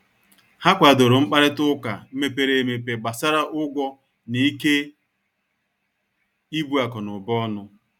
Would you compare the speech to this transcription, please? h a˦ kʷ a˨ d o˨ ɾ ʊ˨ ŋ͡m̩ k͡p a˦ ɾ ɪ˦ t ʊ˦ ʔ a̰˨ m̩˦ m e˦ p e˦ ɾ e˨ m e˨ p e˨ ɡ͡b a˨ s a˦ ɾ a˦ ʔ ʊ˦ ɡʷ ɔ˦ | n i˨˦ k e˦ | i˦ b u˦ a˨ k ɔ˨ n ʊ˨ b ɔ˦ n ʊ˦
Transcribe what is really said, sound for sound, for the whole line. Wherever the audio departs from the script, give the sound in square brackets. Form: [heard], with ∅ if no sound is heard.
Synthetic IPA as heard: h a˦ kʷ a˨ d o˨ ɾ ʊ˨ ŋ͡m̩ k͡p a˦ ɾ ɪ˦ t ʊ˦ [k] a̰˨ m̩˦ m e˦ p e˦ ɾ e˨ m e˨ p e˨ ɡ͡b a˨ s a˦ ɾ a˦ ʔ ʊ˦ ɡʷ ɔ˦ | n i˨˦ k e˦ | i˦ b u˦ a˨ k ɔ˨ n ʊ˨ b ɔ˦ n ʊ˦

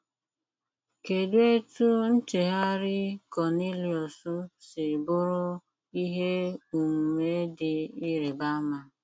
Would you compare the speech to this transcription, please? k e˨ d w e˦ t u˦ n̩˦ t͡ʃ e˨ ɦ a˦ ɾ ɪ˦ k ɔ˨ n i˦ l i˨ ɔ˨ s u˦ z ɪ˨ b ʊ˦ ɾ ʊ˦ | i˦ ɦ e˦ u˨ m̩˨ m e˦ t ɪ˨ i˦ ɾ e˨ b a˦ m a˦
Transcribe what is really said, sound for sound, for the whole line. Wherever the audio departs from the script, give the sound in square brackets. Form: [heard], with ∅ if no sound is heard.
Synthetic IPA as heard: k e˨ d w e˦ t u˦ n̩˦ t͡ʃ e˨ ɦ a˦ ɾ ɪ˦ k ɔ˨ n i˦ l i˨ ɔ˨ s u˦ [s] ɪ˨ b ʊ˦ ɾ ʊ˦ | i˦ ɦ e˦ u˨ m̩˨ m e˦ [d] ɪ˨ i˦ ɾ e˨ b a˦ m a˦

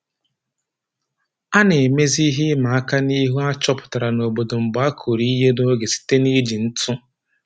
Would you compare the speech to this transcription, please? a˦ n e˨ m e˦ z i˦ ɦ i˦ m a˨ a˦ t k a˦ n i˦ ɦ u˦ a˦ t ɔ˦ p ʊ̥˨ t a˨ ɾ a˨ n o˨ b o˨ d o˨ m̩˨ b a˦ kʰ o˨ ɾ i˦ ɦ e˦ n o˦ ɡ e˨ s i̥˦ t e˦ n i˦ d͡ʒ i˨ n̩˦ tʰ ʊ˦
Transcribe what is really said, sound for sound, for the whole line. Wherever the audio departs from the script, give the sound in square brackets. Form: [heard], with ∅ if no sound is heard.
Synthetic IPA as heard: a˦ n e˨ m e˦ z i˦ ɦ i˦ m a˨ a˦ [∅] k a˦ n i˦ ɦ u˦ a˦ [t͡ʃ] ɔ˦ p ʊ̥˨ t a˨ ɾ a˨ n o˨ b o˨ d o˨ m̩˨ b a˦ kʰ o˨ ɾ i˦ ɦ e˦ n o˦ ɡ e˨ s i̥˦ t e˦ n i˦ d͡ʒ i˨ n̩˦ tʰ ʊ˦

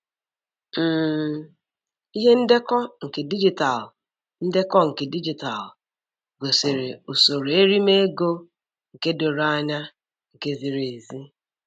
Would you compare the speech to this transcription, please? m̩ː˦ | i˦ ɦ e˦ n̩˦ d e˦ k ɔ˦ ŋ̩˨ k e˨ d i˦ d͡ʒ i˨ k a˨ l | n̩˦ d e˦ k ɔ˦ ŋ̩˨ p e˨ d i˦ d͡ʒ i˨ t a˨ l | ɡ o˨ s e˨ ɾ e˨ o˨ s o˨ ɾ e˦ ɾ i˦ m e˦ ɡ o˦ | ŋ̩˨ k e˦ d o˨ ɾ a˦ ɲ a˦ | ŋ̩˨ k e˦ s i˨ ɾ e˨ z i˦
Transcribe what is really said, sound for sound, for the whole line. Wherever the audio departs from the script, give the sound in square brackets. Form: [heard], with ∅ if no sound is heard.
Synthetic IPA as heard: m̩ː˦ | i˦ ɦ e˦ n̩˦ d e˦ k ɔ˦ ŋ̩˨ k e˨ d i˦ d͡ʒ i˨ [t] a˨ l | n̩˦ d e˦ k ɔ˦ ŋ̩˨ [k] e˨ d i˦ d͡ʒ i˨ t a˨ l | ɡ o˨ s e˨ ɾ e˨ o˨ s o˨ ɾ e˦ ɾ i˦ m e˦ ɡ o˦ | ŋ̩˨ k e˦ d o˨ ɾ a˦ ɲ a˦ | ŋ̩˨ k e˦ [z] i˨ ɾ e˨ z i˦

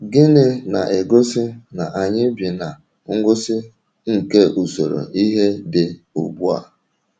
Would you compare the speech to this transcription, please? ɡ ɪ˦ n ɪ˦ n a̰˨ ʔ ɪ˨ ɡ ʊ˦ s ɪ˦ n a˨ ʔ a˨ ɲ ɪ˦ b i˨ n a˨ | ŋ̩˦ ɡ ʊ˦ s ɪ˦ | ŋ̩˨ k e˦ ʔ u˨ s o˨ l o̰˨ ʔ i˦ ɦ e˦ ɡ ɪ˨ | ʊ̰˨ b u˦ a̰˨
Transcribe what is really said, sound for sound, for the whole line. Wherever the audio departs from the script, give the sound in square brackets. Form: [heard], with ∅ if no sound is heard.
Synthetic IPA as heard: ɡ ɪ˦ n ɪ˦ n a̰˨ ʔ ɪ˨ ɡ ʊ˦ s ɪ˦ n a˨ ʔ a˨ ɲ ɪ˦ b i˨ n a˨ | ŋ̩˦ ɡ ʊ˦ s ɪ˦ | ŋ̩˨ k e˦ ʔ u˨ s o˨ [ɾ] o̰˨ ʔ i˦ ɦ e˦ [d] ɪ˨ | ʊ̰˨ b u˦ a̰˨

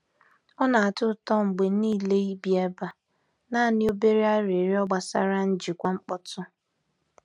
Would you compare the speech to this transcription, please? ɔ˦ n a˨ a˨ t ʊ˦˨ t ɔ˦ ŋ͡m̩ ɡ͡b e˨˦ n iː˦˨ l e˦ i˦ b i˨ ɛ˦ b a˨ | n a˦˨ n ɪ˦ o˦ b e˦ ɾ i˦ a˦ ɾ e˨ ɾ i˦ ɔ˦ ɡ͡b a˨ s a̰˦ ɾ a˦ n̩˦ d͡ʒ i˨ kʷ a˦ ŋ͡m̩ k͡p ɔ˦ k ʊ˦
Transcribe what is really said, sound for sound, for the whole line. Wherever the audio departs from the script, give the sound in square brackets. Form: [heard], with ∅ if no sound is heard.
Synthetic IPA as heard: ɔ˦ n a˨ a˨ t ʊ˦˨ t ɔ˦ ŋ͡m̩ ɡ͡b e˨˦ n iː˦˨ l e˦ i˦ b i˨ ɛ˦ b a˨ | n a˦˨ n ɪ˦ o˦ b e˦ ɾ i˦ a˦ ɾ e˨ ɾ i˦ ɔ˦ ɡ͡b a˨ s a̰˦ ɾ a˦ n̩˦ d͡ʒ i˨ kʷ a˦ ŋ͡m̩ k͡p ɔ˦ [t] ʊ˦

